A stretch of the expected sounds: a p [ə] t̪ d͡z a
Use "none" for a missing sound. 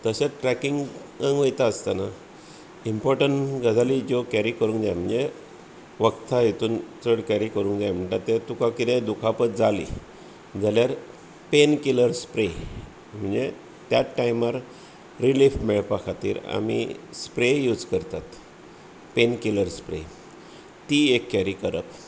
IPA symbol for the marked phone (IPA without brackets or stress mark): ə